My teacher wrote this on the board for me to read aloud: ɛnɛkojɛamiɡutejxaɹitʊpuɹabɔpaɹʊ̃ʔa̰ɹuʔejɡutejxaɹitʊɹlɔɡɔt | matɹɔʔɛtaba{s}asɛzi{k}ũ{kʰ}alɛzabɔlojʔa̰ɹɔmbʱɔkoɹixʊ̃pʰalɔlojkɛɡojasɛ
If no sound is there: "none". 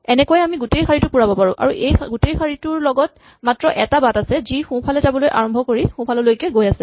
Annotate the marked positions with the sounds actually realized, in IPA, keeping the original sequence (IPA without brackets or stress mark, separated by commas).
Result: t, x, pʰ